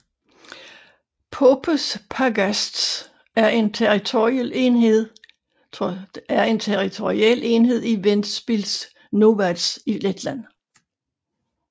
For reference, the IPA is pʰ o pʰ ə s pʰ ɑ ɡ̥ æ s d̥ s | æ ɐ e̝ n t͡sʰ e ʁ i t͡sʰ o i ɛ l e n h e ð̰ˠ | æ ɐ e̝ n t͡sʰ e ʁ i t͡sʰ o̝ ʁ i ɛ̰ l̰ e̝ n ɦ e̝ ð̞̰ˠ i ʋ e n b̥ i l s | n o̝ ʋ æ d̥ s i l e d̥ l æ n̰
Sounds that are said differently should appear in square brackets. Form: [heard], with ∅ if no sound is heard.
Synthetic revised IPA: pʰ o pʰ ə s pʰ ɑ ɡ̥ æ s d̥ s | æ ɐ e̝ n t͡sʰ e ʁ i t͡sʰ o i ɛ l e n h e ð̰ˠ | æ ɐ e̝ n t͡sʰ e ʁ i t͡sʰ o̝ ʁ i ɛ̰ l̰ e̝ n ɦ e̝ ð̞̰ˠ i ʋ e n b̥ i l s | n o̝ ʋ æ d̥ s i l e d̥ l æ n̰